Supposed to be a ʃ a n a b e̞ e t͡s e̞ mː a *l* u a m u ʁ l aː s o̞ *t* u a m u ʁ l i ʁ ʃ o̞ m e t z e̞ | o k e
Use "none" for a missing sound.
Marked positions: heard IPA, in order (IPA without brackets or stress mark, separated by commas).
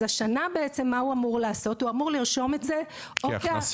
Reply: none, t